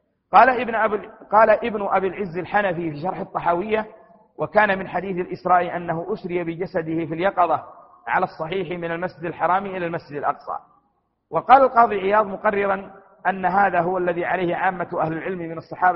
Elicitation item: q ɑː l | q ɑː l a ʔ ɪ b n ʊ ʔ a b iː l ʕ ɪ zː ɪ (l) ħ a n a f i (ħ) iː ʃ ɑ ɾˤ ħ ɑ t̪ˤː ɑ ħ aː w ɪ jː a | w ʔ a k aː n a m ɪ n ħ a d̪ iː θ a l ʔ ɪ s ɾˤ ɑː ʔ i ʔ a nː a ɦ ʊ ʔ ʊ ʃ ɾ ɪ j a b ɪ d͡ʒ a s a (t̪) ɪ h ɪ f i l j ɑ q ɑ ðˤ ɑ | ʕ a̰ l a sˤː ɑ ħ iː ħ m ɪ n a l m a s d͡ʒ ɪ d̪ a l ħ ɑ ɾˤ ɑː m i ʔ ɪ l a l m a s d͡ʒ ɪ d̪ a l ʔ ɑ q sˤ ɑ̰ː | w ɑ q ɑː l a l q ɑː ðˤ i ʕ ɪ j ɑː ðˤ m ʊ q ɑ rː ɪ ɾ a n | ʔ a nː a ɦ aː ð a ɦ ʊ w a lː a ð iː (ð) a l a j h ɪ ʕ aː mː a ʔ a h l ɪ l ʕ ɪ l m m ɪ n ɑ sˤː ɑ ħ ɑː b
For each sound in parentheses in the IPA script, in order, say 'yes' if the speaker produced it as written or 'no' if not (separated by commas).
yes, no, no, no